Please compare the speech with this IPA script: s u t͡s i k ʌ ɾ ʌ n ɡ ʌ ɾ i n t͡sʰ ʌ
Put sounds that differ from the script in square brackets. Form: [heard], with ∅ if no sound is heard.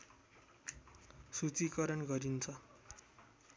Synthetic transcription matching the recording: s u t͡s i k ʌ ɾ ʌ n ɡ ʌ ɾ i n t͡sʰ ʌ